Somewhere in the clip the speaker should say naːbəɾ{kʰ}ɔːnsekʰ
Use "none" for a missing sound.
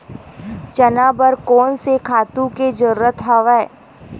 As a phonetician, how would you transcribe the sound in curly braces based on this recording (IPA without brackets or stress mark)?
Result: k